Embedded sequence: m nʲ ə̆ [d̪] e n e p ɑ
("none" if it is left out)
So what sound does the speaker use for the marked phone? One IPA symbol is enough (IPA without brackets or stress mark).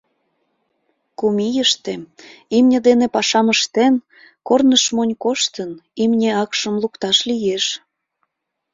d̪